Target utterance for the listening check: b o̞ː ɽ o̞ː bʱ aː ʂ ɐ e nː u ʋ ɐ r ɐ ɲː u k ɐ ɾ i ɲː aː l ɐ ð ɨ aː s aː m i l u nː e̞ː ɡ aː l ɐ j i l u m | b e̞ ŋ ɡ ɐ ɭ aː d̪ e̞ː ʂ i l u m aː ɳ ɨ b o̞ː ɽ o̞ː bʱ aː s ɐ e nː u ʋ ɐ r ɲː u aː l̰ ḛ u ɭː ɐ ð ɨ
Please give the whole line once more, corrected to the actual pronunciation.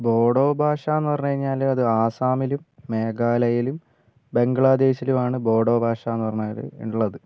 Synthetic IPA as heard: b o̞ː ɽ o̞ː bʱ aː ʂ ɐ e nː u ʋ ɐ r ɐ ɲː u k ɐ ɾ i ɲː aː l ɐ ð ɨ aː s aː m i l u mː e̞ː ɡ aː l ɐ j i l u m | b e̞ ŋ ɡ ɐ ɭ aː d̪ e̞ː ɕ i l u m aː ɳ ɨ b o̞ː ɽ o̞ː bʱ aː ʂ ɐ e nː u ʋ ɐ r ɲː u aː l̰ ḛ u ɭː ɐ ð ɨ